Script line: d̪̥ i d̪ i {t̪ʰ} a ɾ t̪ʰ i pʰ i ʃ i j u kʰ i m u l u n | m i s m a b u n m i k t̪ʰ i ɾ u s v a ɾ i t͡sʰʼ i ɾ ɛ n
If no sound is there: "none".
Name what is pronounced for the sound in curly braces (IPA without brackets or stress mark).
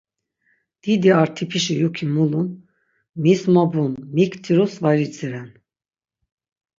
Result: none